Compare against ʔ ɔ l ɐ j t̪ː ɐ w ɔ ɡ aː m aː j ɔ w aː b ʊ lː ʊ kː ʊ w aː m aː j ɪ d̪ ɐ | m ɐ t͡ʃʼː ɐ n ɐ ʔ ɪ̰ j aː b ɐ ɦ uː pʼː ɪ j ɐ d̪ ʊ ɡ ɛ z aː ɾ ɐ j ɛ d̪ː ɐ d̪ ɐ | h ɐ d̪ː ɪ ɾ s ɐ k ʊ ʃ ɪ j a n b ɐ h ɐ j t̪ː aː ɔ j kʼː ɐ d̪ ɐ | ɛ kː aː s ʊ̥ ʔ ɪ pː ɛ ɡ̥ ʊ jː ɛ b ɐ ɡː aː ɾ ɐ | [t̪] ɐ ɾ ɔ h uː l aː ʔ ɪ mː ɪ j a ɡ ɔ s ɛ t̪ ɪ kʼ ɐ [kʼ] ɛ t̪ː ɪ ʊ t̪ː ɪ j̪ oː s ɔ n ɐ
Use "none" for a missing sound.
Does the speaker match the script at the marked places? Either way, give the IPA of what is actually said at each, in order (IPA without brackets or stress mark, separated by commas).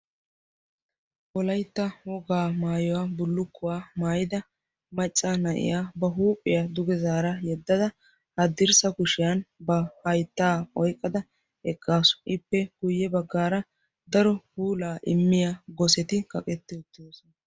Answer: d̪, kʼ